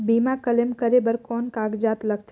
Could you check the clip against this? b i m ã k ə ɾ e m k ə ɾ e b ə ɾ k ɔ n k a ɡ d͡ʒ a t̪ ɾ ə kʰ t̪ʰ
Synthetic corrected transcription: b i m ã k ə l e m k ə ɾ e b ə ɾ k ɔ n k a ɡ d͡ʒ a t̪ l ə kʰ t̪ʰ